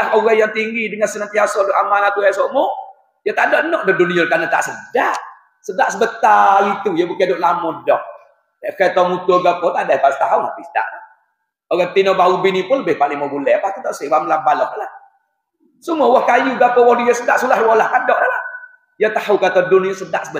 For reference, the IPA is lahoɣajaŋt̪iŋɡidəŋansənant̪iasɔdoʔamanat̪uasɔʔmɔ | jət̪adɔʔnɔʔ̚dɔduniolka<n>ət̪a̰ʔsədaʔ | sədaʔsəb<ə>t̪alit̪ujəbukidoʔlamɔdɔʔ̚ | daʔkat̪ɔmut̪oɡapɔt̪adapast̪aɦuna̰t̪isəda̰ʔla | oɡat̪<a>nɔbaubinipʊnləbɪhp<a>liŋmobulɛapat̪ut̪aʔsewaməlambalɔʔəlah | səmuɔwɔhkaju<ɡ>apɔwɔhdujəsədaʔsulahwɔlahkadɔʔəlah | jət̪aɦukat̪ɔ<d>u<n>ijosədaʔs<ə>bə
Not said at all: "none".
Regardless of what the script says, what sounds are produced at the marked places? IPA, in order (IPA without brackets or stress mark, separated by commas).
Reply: n, ə, i, a, ɡ, d, n, ə